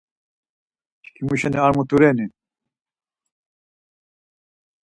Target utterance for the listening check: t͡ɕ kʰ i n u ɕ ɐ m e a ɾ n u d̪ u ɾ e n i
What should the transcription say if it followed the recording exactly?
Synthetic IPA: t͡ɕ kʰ i m u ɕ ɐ n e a ɾ m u t̪ u ɾ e n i

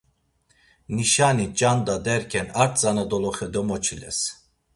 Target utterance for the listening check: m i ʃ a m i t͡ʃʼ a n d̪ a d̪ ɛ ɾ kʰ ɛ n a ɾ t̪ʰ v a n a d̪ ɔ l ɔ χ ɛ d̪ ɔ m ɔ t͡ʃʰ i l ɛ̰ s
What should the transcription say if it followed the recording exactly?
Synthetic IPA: n i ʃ a n i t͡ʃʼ a n d̪ a d̪ ɛ ɾ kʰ ɛ n a ɾ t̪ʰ z a n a d̪ ɔ l ɔ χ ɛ d̪ ɔ m ɔ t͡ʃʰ i l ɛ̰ s

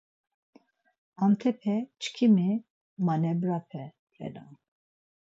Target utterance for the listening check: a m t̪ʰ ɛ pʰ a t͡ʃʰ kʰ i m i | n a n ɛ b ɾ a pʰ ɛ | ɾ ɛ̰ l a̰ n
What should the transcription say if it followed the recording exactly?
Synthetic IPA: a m t̪ʰ ɛ pʰ ɛ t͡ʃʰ kʰ i m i | m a n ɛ b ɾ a pʰ ɛ | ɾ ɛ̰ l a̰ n

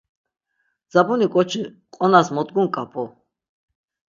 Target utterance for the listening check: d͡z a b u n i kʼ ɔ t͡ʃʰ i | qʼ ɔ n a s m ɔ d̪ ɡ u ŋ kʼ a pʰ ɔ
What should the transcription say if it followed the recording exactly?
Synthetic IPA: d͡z a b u n i kʼ ɔ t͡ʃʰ i | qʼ ɔ n a s m ɔ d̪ ɡ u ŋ kʼ a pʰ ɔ

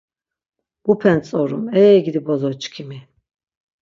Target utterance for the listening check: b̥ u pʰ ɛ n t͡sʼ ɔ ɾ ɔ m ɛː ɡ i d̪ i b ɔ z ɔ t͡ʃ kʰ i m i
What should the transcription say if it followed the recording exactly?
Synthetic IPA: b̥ u pʰ ɛ n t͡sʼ ɔ ɾ u m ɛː ɡ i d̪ i b ɔ z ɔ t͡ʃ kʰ i m i

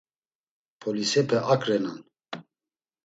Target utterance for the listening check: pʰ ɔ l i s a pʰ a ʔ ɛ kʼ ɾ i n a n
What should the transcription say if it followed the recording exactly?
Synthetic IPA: pʰ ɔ l i s ɛ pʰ ɛ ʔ a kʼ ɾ ɛ n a n

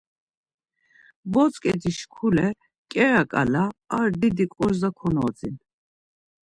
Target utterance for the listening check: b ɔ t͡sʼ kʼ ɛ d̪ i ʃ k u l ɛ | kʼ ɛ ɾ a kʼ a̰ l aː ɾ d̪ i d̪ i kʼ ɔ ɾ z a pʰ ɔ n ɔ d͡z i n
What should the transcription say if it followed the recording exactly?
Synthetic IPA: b ɔ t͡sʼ kʼ ɛ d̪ i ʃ kʰ u l ɛ | kʼ ɛ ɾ a kʼ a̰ l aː ɾ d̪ i d̪ i kʼ ɔ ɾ z a kʰ ɔ n ɔ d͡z i n

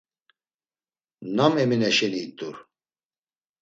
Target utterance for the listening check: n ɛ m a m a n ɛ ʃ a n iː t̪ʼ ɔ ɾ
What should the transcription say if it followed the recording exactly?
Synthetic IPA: n a m ɛ m i n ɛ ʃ ɛ n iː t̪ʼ u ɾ

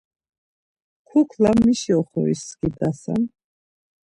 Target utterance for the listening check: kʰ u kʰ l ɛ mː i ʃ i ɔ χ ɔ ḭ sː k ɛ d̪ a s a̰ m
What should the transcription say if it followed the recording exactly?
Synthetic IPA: kʰ u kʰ l a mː i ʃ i ɔ χ ɔ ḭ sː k i d̪ a s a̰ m

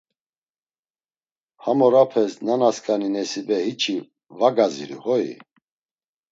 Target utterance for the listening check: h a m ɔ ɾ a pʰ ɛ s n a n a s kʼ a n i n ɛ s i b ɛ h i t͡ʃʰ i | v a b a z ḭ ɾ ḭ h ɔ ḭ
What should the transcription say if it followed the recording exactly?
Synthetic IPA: h a m ɔ ɾ a pʰ ɛ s n a n a s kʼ a n i n ɛ s i b ɛ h i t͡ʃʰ i | v a ɡ a z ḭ ɾ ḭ h ɔ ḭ

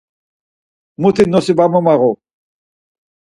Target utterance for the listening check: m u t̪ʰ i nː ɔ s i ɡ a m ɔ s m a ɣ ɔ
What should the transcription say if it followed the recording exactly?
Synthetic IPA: m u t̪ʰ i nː ɔ s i b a m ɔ m a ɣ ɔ

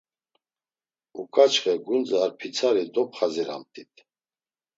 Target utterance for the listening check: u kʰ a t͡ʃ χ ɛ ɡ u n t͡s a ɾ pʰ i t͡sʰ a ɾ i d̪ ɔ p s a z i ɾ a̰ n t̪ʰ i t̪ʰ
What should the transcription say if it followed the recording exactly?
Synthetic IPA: u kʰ a t͡ʃ χ ɛ ɡ u n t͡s a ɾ pʰ i t͡sʰ a ɾ i d̪ ɔ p χ a z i ɾ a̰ m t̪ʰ i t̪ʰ

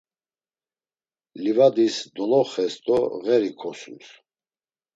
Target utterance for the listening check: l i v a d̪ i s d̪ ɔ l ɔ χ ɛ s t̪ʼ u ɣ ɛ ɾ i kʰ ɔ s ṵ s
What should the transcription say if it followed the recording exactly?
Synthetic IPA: l i v a d̪ i s d̪ ɔ l ɔ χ ɛ s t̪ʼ ɔ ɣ ɛ ɾ i kʰ ɔ s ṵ s

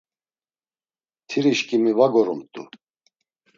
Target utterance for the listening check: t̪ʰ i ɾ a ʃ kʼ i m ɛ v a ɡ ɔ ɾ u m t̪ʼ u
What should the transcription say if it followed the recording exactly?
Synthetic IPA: t̪ʰ i ɾ i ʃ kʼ i m i v a ɡ ɔ ɾ u m t̪ʼ u

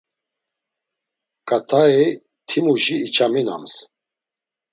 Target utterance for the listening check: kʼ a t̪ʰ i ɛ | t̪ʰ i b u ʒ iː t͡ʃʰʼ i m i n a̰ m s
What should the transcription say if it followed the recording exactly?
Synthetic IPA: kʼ a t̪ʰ a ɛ | t̪ʰ i m u ʒ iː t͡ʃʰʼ a m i n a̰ m s

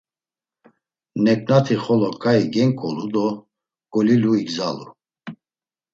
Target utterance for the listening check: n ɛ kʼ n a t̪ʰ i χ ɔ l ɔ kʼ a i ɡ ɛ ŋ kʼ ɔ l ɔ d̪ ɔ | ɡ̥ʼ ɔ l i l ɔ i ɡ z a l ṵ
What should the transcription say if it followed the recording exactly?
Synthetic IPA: n ɛ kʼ n a t̪ʰ i χ ɔ l ɔ kʼ a i ɡ ɛ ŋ kʼ ɔ l u d̪ ɔ | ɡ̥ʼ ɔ l i l u i ɡ z a l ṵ

